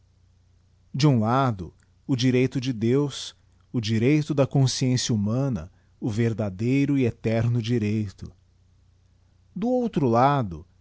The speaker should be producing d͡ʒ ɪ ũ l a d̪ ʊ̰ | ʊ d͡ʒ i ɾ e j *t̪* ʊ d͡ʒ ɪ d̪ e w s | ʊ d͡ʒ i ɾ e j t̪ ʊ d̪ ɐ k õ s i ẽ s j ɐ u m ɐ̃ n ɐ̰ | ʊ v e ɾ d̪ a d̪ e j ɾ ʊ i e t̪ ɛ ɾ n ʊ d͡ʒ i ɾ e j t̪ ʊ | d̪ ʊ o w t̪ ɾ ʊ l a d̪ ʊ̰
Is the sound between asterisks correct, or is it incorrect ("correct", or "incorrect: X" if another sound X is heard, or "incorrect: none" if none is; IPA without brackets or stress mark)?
correct